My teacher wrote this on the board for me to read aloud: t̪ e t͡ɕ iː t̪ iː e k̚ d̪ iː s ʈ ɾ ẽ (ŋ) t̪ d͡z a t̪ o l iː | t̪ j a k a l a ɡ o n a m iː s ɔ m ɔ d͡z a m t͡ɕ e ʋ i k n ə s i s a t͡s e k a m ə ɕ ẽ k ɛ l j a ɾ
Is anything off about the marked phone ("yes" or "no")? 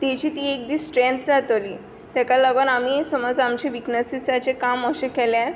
yes